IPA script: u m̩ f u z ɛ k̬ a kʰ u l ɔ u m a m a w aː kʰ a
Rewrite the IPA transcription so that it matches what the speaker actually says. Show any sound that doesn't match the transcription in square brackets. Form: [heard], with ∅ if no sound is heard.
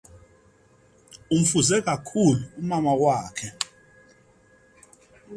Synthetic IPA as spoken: u m̩ f u z ɛ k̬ a kʰ u l [u] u m a m a w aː kʰ [ɛ]